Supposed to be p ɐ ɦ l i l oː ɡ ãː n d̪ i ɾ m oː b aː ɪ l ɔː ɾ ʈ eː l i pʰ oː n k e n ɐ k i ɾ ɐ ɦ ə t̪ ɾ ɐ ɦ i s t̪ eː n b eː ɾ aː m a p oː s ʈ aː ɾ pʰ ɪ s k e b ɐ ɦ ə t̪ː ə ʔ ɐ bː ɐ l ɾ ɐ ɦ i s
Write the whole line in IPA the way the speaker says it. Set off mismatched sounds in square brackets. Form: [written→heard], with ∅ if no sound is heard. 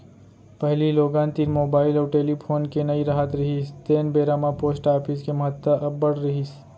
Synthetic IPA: p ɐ ɦ l i l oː ɡ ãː n [d̪→t̪] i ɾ m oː b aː ɪ l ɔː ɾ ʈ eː l i pʰ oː n k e n ɐ [k→∅] i ɾ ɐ ɦ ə t̪ ɾ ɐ ɦ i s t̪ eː n b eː ɾ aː m a p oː s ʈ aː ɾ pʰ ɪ s k e [b→m] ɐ ɦ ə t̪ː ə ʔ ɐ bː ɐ [l→ɽ] ɾ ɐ ɦ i s

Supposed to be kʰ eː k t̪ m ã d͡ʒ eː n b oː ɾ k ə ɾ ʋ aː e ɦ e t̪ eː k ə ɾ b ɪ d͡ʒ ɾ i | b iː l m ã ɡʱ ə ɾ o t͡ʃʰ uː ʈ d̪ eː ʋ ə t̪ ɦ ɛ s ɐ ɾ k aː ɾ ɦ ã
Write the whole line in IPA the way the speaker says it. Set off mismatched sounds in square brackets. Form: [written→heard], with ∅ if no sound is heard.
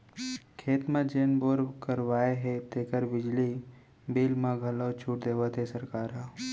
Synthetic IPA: kʰ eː [k→∅] t̪ m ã d͡ʒ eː n b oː ɾ k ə ɾ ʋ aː e ɦ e t̪ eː k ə ɾ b ɪ d͡ʒ [ɾ→l] i | b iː l m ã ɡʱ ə [ɾ→l] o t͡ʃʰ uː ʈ d̪ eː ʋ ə t̪ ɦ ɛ s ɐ ɾ k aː ɾ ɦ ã

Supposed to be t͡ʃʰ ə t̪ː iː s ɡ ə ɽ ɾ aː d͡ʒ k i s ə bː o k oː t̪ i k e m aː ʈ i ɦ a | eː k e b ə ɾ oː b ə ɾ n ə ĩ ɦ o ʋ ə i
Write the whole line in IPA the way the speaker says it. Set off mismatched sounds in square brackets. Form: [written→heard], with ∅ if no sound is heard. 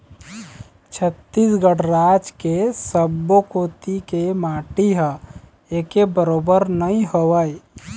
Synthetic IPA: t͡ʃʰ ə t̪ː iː s ɡ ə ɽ ɾ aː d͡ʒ k [i→e] s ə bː o k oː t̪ i k e m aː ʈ i ɦ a | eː k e b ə ɾ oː b ə ɾ n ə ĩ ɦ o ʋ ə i

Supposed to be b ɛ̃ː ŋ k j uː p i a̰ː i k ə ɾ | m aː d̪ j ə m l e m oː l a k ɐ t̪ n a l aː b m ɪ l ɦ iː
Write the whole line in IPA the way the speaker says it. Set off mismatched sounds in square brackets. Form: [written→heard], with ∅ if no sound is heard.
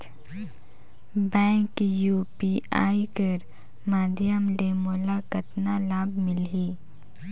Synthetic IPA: b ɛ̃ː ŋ k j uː p i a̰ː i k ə ɾ | m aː d̪ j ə m l e m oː l a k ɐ t̪ n a l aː b m ɪ l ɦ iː

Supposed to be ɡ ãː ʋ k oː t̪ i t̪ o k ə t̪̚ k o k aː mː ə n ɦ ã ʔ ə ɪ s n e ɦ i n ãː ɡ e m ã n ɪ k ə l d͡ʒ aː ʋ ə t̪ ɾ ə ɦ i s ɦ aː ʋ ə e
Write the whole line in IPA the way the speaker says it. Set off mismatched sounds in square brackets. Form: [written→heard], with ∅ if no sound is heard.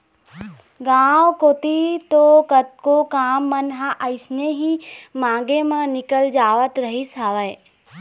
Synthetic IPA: ɡ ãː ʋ k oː t̪ i t̪ o k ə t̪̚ k o k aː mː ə n ɦ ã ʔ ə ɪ s n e ɦ i [n→m] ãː ɡ e m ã n ɪ k ə l d͡ʒ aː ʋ ə t̪ ɾ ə ɦ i s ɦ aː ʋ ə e

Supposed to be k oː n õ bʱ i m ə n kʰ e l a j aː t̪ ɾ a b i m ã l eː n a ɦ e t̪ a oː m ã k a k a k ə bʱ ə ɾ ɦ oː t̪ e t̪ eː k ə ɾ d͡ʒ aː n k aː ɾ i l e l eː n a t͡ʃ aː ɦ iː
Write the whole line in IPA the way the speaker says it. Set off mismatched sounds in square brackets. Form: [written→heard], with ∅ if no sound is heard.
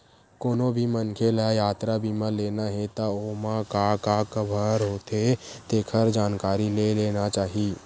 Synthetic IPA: k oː n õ bʱ i m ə n kʰ e l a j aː t̪ ɾ a b i m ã l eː n a ɦ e t̪ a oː m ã k a k a k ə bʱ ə ɾ ɦ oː t̪ e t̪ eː [k→kʰ] ə ɾ d͡ʒ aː n k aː ɾ i l e l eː n a t͡ʃ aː ɦ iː

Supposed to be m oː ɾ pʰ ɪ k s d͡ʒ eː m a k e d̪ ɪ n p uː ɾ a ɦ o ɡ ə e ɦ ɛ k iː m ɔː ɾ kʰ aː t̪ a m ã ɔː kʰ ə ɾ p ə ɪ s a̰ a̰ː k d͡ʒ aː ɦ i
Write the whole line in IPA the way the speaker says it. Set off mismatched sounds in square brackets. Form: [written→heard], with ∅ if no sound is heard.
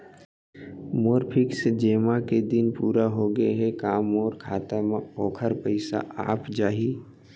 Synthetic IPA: m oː ɾ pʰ ɪ k s d͡ʒ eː m a k e d̪ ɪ n p uː ɾ a ɦ o ɡ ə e ɦ ɛ k [iː→aː] m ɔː ɾ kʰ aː t̪ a m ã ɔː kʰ ə ɾ p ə ɪ s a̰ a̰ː [k→p] d͡ʒ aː ɦ i

